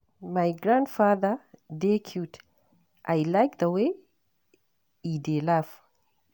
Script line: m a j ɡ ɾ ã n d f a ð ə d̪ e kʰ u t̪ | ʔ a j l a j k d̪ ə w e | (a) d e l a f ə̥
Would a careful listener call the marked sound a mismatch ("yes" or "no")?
yes